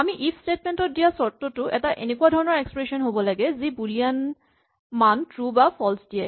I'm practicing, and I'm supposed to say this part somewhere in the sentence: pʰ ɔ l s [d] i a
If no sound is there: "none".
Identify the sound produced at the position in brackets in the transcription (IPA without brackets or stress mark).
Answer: d